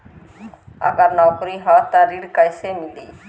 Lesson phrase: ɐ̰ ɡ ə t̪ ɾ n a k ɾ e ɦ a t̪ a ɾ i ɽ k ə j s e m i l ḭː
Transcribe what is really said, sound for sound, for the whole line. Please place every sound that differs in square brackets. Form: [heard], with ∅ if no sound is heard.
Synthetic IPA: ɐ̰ ɡ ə [∅] ɾ n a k ɾ [i] ɦ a t̪ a ɾ i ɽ k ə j s e m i l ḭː